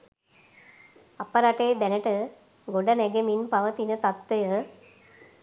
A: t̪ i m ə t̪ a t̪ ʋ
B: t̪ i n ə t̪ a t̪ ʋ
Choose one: B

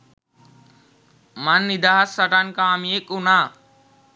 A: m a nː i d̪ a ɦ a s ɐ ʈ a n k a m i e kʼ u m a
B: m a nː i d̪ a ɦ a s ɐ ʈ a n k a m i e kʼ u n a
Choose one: B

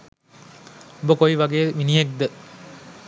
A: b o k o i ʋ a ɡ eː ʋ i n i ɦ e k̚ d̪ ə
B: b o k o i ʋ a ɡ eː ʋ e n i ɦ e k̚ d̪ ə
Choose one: A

